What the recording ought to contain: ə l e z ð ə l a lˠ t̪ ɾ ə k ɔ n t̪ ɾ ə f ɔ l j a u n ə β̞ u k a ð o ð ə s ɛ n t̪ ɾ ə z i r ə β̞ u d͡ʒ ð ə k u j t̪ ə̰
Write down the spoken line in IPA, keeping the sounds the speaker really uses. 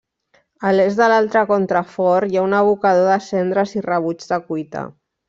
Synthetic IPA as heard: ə l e z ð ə l a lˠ t̪ ɾ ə k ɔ n t̪ ɾ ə f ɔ ɾ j a u n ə β̞ u k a ð o ð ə s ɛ n d̪ ɾ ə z i r ə β̞ u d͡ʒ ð ə k u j t̪ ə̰

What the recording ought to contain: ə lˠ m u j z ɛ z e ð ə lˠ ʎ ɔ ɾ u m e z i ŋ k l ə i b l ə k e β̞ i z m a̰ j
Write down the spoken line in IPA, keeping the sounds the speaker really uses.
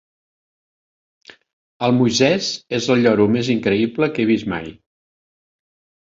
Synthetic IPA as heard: ə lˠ m u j z ɛ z e z ə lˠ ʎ ɔ ɾ u m e z i ŋ k ɾ ə i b l ə k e β̞ i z m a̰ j

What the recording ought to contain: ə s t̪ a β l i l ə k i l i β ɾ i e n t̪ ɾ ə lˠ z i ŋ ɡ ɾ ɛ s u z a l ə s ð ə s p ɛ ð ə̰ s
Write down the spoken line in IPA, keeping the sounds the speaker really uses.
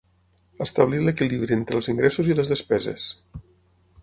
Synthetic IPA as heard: ə s t̪ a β l i l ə k i l i β ɾ i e n t̪ ɾ ə lˠ z i ŋ ɡ ɾ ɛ s u z i l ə z ð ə s p ɛ z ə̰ s

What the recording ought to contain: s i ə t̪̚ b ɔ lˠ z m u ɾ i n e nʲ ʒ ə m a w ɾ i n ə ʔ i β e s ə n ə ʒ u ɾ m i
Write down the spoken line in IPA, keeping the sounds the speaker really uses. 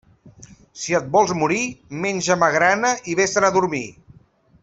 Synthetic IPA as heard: s i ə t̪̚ b ɔ lˠ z m u ɾ i m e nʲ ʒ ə m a ɣ ɾ a n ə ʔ i β e s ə n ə ð u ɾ m i

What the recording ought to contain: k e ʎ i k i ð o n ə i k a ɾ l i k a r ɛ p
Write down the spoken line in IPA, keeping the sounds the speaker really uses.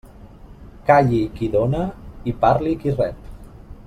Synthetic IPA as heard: k a ʎ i k i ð o n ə i p a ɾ l i k i r ɛ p

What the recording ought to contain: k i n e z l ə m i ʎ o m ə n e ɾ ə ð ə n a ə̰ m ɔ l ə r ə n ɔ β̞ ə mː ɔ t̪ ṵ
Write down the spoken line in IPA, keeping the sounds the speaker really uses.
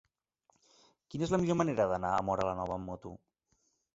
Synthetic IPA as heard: k i n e z l ə m i ʎ o m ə n e ɾ ə ð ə n a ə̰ m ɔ ɾ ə l ə n ɔ β̞ ə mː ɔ t̪ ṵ

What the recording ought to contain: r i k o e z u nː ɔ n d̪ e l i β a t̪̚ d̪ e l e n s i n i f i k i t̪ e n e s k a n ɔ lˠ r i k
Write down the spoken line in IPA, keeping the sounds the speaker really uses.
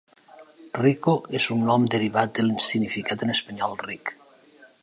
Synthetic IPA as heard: r i k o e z u nː ɔ m d̪ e ɾ i β a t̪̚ d̪ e l i n s i n i f i k a t̪ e n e s p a ɲ ɔ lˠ r i k

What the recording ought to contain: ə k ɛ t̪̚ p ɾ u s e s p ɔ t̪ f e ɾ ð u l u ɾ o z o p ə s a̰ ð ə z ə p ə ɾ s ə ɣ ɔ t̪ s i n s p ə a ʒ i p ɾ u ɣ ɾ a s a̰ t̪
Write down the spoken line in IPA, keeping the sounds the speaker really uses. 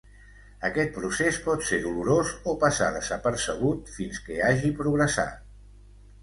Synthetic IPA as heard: ə k ɛ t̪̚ p ɾ u s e s p ɔ t̪ s e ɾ ð u l u ɾ o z o p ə s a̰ ð ə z ə p ə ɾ s ə ɣ u t̪ f i n s k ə a ʒ i p ɾ u ɣ ɾ ə s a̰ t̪

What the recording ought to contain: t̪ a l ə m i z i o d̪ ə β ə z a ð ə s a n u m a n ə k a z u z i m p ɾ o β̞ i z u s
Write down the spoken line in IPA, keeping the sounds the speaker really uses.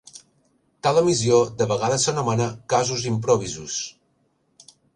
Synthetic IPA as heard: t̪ a l ə m i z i o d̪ ə β ə ɣ a ð ə s ə n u m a n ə k a z u z i m p ɾ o β̞ i z u s

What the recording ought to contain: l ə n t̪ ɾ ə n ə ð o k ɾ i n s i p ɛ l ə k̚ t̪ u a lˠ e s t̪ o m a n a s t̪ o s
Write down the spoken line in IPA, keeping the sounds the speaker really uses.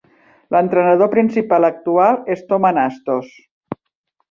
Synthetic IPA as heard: l ə n t̪ ɾ ə n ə ð o p ɾ i n s i p a l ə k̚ t̪ u a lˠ e s t̪ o m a n a s t̪ o s

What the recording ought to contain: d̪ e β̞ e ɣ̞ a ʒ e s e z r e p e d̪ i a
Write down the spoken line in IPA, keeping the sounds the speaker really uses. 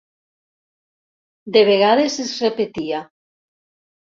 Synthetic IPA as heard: d̪ e β̞ e ɣ̞ a ð e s e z r e p e t̪ i a

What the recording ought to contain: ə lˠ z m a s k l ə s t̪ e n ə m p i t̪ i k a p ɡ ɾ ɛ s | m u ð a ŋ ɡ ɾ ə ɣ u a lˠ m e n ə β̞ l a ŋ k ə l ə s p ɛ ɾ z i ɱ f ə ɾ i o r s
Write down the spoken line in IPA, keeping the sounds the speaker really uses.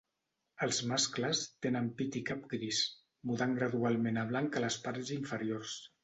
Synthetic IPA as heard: ə lˠ z m a s k l ə s t̪ e n ə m p i t̪ i k a p ɡ ɾ i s | m u ð a ŋ ɡ ɾ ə ð u a lˠ m e n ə β̞ l a ŋ k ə l ə s p a ɾ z i ɱ f ə ɾ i o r s

